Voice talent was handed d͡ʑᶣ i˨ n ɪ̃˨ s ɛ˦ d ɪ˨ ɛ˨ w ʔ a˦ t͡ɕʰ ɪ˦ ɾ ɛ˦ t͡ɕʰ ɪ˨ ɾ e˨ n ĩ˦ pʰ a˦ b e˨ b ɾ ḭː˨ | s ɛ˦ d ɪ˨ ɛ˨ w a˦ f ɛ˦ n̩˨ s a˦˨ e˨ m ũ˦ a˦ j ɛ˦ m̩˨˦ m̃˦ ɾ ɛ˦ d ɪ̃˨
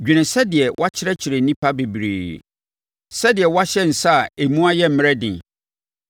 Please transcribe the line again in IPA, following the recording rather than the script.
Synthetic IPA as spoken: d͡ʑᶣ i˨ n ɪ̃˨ s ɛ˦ d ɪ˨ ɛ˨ w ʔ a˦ t͡ɕʰ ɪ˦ ɾ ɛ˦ t͡ɕʰ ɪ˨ ɾ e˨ n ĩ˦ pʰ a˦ b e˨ b ɾ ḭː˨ | s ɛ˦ d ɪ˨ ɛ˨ w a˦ ɕ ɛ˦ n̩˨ s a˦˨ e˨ m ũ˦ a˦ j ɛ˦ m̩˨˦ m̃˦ ɾ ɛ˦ d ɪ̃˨

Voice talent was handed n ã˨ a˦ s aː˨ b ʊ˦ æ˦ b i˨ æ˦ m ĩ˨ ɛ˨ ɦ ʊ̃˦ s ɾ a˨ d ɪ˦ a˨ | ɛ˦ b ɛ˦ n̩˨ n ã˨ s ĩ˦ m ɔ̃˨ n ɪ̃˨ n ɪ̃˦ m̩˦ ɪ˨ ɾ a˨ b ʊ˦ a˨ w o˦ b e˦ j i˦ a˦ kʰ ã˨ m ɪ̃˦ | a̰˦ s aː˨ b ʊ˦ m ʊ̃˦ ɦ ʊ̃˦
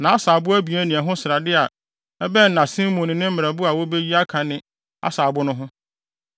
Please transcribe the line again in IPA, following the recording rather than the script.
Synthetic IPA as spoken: n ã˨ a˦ s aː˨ b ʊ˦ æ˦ b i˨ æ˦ n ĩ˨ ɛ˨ ɦ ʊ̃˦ s ɾ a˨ d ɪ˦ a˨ | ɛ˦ b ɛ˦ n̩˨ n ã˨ s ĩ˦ m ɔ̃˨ n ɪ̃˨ n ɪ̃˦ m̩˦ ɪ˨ ɾ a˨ b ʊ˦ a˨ w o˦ b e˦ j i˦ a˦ kʰ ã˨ n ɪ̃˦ | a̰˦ s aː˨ b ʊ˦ n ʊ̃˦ ɦ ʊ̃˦

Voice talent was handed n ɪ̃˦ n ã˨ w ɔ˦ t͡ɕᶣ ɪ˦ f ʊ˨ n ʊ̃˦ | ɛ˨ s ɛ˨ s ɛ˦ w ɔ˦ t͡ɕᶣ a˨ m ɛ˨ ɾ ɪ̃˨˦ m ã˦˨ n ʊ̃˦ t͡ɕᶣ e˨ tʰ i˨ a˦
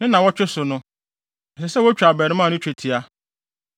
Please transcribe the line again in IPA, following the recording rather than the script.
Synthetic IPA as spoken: n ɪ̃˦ n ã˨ w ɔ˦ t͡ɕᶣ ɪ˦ s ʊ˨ n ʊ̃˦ | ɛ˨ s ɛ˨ s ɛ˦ w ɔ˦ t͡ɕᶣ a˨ b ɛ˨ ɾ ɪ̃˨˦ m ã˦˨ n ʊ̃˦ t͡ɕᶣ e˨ tʰ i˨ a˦

